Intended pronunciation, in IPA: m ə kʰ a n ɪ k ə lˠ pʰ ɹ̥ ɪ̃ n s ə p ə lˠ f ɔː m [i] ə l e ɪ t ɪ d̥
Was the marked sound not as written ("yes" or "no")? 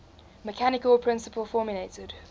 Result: yes